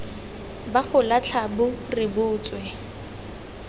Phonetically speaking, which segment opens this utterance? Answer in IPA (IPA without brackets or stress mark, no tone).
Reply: b